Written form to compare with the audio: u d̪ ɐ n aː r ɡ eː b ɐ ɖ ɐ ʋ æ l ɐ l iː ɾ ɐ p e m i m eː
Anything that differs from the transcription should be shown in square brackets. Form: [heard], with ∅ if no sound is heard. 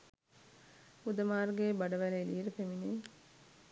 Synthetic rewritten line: u d̪ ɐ [m] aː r ɡ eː b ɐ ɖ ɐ ʋ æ l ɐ l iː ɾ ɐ p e m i [n] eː